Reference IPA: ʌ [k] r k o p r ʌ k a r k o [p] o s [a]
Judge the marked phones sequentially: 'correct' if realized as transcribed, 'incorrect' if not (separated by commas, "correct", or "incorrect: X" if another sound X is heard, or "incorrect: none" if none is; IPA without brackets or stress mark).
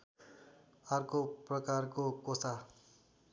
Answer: incorrect: none, incorrect: k, correct